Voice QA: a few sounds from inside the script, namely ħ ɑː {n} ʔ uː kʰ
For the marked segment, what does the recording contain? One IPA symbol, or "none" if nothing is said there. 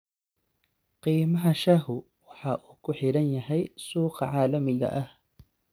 none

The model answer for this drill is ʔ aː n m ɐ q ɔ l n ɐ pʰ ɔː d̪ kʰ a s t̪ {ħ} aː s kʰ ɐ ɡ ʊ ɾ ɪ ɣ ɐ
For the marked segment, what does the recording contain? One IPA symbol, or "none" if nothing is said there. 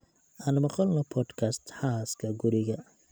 ħ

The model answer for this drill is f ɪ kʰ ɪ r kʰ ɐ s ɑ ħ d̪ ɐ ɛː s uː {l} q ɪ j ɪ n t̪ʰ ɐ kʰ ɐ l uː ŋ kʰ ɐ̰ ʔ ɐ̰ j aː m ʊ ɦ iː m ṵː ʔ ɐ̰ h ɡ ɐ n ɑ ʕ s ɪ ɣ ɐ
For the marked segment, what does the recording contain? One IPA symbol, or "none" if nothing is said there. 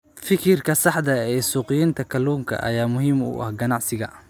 none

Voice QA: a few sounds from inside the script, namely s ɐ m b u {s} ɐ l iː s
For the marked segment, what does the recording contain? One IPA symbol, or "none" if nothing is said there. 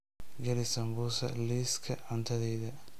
s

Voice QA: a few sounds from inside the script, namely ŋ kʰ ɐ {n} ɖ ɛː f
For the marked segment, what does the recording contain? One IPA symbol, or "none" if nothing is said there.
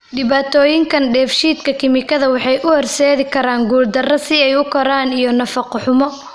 n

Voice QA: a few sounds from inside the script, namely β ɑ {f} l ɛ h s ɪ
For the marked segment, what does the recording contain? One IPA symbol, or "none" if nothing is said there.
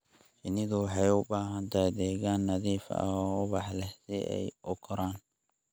ħ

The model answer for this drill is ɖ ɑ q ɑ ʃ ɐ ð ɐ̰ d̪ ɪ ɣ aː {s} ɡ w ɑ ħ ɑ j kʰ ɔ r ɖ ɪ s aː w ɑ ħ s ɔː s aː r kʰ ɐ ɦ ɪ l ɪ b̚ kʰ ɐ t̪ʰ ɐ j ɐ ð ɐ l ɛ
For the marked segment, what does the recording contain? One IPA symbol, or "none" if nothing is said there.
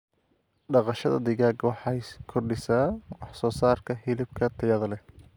none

